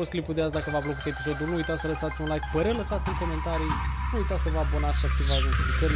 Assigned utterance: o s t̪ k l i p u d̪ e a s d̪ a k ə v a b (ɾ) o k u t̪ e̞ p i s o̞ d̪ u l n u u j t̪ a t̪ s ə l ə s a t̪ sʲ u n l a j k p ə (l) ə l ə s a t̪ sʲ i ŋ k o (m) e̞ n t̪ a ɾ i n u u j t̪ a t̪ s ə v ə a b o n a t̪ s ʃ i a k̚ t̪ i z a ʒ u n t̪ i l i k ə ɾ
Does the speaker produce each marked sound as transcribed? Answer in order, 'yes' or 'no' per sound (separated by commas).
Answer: no, no, yes